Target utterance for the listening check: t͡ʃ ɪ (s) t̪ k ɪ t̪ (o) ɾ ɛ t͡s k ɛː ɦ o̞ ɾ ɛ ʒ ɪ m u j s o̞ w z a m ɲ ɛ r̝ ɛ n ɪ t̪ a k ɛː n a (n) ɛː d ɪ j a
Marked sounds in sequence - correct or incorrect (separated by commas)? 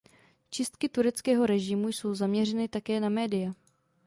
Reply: correct, incorrect, incorrect